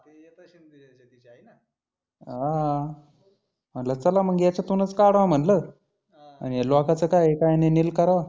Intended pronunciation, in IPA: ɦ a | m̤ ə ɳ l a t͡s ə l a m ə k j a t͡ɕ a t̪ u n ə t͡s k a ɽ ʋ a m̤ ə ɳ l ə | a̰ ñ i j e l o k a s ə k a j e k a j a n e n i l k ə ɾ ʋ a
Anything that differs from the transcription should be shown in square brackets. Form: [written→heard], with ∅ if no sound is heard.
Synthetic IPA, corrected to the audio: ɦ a | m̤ ə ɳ l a t͡s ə l a m ə [k→ɡ] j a t͡ɕ a t̪ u n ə t͡s k a ɽ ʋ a m̤ ə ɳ l ə | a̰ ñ i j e l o k a [s→t͡s] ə k a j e k a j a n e n i l k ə ɾ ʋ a